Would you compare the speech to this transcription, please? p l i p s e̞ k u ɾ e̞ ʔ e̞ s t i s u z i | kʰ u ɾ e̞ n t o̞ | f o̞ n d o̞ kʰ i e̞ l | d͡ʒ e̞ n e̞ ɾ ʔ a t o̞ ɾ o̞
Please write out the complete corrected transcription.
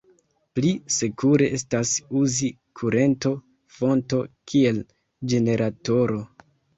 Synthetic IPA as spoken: p l i s e̞ k u ɾ e̞ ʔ e̞ s t a s u z i | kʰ u ɾ e̞ n t o̞ | f o̞ n t o̞ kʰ i e̞ l | d͡ʒ e̞ n e̞ ɾ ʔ a t o̞ ɾ o̞